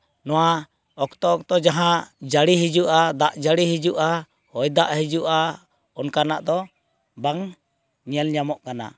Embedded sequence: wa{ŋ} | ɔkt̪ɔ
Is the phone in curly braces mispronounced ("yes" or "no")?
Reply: yes